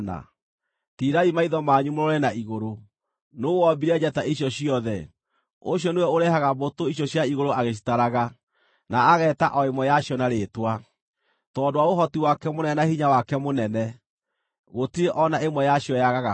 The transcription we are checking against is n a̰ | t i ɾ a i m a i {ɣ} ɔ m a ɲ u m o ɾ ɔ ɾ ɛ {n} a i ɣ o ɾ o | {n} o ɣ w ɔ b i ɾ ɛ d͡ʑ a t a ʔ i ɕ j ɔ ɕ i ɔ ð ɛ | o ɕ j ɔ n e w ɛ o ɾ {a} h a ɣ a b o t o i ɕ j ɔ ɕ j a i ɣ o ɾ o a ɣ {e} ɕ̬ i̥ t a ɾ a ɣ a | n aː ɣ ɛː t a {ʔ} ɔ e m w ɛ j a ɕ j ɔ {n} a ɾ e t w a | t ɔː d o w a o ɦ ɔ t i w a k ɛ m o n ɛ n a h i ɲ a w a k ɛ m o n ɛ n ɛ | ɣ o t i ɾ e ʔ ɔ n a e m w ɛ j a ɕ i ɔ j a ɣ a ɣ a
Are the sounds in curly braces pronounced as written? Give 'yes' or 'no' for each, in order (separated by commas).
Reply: no, yes, yes, no, yes, yes, yes